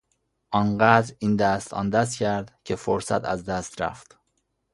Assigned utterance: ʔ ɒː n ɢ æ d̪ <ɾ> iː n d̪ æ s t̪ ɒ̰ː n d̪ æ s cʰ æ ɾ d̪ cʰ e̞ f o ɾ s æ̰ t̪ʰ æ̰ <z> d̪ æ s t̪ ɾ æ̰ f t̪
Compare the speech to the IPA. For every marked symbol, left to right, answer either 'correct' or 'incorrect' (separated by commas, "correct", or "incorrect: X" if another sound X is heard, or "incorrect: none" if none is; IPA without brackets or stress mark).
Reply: correct, correct